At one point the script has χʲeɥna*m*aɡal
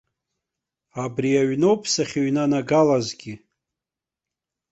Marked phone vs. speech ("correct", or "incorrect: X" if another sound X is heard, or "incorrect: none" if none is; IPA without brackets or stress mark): incorrect: n